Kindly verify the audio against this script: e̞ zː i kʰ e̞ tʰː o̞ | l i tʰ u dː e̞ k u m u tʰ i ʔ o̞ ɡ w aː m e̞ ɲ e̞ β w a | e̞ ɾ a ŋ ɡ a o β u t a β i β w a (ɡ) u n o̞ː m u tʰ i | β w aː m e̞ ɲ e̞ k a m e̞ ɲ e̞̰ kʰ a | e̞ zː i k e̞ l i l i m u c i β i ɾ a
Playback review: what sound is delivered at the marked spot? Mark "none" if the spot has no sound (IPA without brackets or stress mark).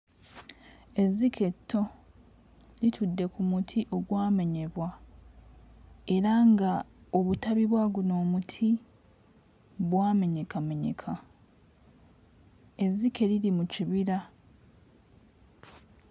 ɡ